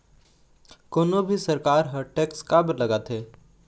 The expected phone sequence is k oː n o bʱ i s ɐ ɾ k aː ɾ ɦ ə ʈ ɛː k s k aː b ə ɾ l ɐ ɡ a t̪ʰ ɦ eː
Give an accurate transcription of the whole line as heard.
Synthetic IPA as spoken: k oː n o bʱ i s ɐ ɾ k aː ɾ ɦ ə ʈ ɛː k s k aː b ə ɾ l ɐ ɡ a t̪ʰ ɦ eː